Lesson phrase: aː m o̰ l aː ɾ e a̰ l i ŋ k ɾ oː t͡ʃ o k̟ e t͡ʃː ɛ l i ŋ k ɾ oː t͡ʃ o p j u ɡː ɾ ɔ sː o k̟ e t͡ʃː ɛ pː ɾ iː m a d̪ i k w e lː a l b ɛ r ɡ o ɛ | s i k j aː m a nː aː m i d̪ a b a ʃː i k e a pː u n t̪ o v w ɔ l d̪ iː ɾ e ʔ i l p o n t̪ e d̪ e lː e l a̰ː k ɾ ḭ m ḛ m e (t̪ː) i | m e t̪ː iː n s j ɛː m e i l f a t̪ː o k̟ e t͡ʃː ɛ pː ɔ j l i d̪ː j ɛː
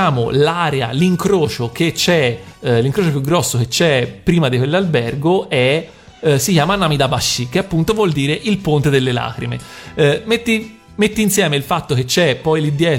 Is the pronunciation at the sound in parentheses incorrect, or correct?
correct